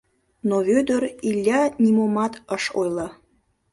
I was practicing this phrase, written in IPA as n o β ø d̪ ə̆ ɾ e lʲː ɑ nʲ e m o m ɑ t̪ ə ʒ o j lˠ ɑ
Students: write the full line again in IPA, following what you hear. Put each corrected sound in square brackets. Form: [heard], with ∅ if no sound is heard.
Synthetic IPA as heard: n o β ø d̪ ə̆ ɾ [i] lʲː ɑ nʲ [i] m o m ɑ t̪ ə [ʃ] o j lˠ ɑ